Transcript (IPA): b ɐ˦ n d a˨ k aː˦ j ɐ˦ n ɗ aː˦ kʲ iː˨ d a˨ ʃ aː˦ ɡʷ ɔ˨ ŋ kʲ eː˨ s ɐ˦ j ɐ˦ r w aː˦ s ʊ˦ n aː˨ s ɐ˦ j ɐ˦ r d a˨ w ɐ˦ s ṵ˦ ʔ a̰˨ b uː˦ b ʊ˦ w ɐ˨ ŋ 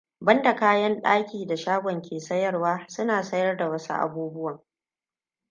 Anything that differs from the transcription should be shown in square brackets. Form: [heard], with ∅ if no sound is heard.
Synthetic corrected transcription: b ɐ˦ n d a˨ k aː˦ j ɐ˦ n ɗ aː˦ kʲ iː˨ d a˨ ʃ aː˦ ɡʷ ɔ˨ ŋ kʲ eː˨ s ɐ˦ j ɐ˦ r w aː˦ s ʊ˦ n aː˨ s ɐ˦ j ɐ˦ r d a˨ w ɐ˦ s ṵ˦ ʔ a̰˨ b uː˦ b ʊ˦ w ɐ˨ ŋ